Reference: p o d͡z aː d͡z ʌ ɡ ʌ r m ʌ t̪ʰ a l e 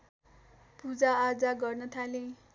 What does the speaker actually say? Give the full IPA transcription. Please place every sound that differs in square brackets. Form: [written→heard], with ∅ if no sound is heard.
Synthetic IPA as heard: p [o→u] d͡z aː d͡z [ʌ→a] ɡ ʌ r [m→n] ʌ t̪ʰ a l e